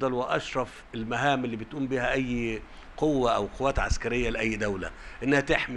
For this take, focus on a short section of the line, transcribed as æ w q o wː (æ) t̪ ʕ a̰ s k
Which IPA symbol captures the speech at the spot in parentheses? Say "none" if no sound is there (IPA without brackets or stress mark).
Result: æː